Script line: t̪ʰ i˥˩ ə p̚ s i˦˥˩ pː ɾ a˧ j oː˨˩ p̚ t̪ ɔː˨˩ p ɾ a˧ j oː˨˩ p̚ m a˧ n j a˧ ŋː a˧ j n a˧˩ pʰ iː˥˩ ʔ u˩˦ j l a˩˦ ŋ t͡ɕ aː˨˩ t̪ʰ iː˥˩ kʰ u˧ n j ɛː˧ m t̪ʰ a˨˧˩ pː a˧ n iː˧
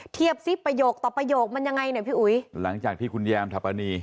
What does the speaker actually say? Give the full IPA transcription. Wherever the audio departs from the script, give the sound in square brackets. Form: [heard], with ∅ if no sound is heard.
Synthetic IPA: t̪ʰ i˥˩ ə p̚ s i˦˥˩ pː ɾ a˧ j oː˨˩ [k̚] t̪ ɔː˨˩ p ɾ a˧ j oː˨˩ [k̚] m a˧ n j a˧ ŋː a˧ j n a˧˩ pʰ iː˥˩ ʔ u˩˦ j l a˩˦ ŋ t͡ɕ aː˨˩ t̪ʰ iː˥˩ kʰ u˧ n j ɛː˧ m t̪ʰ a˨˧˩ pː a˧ n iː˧